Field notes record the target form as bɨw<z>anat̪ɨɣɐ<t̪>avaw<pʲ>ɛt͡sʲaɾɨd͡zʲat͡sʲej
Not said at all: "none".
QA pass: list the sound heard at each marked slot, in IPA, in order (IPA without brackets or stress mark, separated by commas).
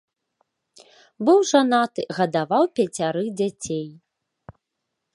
ʐ, d̪, pʲ